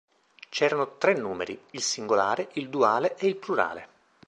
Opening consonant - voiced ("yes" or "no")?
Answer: no